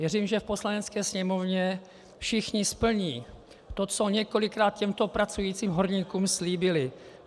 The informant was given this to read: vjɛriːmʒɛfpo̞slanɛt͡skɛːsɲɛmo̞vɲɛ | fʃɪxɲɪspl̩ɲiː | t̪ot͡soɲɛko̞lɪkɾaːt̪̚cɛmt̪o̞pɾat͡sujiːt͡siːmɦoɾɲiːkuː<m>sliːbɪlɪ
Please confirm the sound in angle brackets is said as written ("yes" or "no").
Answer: yes